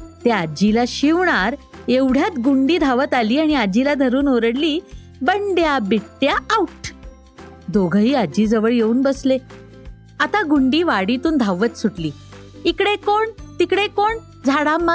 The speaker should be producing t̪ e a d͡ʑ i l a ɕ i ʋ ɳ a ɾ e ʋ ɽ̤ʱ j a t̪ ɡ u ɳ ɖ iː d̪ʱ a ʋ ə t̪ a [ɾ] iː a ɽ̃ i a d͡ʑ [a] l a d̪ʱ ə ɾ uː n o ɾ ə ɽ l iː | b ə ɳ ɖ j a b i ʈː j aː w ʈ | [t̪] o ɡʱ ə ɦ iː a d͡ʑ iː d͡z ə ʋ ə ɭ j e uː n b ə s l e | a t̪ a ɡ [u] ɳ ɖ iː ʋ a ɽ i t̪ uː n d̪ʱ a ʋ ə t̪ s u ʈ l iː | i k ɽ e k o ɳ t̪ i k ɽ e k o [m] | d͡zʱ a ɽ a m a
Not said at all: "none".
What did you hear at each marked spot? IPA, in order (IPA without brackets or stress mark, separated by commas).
l, i, d̪, u, ɳ